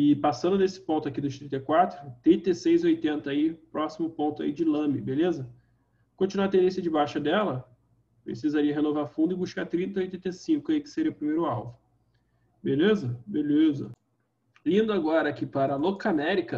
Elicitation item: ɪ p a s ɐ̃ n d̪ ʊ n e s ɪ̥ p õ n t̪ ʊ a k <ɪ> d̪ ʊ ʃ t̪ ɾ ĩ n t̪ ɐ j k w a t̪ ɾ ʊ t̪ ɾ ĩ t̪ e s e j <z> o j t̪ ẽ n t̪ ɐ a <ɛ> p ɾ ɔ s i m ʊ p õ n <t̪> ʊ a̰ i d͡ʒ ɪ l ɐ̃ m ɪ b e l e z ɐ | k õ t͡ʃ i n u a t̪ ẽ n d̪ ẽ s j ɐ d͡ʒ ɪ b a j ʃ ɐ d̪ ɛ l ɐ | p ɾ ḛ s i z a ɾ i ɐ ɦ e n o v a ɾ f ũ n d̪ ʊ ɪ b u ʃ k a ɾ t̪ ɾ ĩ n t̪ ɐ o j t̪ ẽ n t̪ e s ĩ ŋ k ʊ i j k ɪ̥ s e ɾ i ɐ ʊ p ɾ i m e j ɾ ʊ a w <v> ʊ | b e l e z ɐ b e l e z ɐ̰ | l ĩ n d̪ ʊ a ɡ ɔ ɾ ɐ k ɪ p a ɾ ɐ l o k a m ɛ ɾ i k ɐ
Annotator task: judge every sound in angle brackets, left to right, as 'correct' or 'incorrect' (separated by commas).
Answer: incorrect, correct, incorrect, correct, correct